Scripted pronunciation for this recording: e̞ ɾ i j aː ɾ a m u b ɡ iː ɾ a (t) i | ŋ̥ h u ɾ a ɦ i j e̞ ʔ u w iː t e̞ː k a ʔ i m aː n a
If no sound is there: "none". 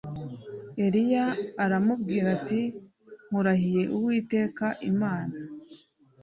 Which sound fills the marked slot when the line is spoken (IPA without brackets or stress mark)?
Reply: t